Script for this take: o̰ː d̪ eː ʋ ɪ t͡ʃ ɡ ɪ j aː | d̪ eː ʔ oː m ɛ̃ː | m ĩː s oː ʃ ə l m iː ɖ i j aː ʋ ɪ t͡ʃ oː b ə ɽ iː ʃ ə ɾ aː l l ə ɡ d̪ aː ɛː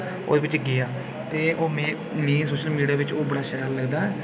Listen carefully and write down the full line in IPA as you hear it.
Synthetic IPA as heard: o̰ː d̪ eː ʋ ɪ t͡ʃ ɡ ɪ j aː | t̪ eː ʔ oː m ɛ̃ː | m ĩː s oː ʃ ə l m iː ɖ i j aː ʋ ɪ t͡ʃ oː b ə ɽ aː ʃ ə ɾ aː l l ə ɡ d̪ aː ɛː